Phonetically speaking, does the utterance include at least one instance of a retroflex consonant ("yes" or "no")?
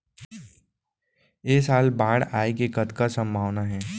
yes